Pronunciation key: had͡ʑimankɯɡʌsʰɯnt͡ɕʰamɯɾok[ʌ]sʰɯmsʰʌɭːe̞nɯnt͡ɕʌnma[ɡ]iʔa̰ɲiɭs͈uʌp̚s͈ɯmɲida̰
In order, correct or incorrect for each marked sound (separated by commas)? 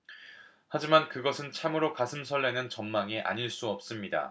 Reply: incorrect, incorrect